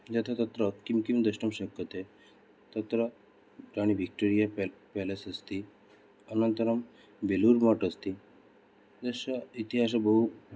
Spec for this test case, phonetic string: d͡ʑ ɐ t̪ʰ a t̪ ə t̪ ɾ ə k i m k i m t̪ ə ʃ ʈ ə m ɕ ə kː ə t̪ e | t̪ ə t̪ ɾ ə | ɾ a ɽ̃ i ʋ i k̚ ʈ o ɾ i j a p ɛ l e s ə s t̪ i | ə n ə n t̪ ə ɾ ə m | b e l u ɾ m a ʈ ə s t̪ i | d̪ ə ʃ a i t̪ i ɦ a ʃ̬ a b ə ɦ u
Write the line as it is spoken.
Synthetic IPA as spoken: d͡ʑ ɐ t̪ʰ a t̪ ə t̪ ɾ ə k i m k i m d̪ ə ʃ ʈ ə m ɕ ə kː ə t̪ e | t̪ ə t̪ ɾ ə | ɾ a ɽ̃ i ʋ i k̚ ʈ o ɾ i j a p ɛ l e s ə s t̪ i | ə n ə n t̪ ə ɾ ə m | b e l u ɾ m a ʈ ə s t̪ i | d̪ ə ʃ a i t̪ i ɦ a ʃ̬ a b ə ɦ u